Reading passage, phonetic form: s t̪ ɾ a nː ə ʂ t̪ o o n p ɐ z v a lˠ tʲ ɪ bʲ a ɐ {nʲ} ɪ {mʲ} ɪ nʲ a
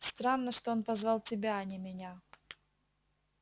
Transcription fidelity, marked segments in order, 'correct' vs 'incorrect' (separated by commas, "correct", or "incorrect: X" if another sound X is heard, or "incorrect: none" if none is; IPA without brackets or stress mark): correct, correct